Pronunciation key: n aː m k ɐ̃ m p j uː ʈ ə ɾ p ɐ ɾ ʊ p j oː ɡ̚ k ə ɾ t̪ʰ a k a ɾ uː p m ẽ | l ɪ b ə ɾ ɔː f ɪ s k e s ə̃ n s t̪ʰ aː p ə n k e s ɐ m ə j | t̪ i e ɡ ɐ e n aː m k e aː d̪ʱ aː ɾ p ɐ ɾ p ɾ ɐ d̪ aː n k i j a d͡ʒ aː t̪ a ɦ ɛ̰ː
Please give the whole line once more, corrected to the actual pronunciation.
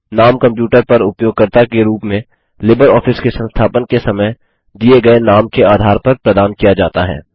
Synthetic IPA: n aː m k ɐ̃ m p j uː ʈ ə ɾ p ɐ ɾ ʊ p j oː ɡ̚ k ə ɾ t̪ a k e ɾ uː p m ẽ | l ɪ b ə ɾ ɔː f ɪ s k e s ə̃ n s t̪ʰ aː p ə n k e s ɐ m ə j | d̪ i e ɡ ɐ e n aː m k e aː d̪ʱ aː ɾ p ɐ ɾ p ɾ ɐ d̪ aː n k i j a d͡ʒ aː t̪ a ɦ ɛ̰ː

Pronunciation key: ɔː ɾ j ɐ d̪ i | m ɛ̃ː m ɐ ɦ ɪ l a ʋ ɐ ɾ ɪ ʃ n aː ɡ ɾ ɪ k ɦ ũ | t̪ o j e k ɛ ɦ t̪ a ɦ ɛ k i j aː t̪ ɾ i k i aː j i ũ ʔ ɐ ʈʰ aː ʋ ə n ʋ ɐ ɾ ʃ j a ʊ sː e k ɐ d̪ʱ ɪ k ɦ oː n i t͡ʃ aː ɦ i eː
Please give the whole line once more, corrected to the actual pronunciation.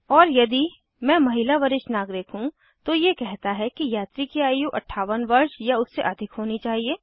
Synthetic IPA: ɔː ɾ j ɐ d̪ i | m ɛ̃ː m ɐ ɦ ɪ l a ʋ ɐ ɾ ɪ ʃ n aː ɡ ɾ ɪ k ɦ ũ | t̪ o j e k ɛ ɦ t̪ a ɦ ɛ k i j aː t̪ ɾ i k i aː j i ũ ʔ ɐ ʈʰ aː ʋ ə n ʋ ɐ ɾ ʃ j a ʊ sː e ʔ ɐ d̪ʱ ɪ k ɦ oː n i t͡ʃ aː ɦ i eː

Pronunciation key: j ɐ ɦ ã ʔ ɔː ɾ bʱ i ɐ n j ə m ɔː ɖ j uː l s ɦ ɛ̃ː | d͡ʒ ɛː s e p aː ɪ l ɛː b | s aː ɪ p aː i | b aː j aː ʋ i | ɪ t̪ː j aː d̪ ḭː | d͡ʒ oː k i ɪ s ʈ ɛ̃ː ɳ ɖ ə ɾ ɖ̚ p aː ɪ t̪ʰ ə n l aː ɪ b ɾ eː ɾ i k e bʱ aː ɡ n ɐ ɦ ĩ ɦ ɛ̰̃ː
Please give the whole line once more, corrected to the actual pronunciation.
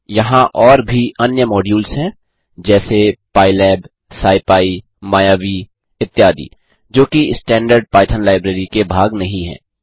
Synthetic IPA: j ɐ ɦ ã ʔ ɔː ɾ bʱ i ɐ n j ə m ɔː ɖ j uː l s ɦ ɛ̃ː | d͡ʒ ɛː s e p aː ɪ l ɛː b | s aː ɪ p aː i | m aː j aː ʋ i | ɪ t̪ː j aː d̪ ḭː | d͡ʒ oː k i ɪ s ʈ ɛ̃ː ɳ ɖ ə ɾ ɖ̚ p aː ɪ t̪ʰ ə n l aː ɪ b ɾ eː ɾ i k e bʱ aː ɡ n ɐ ɦ ĩ ɦ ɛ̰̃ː

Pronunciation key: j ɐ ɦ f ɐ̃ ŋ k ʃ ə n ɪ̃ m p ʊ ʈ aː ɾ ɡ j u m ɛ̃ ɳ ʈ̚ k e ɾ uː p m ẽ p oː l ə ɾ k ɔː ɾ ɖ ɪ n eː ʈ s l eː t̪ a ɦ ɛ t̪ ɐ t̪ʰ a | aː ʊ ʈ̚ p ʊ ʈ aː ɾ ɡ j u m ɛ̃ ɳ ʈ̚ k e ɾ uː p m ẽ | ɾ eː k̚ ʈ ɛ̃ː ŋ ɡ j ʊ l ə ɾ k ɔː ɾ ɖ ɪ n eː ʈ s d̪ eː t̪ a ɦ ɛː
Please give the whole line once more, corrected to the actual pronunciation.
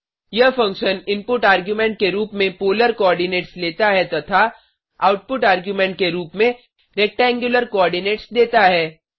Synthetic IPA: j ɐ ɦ f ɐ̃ ŋ k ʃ ə n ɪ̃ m p ʊ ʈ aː ɾ ɡ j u m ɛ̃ ɳ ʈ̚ k e ɾ uː p m ẽ p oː l ə ɾ k ɔː ɾ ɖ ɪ n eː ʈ s l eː t̪ a ɦ ɛ t̪ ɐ t̪ʰ a | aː ʊ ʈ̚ p ʊ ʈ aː ɾ ɡ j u m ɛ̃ ɳ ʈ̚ k e ɾ uː p m ẽ | ɾ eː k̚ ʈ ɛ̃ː ŋ ɡ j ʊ l ə ɾ k ɔː ɾ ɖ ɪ n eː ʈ s d̪ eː t̪ a ɦ ɛː

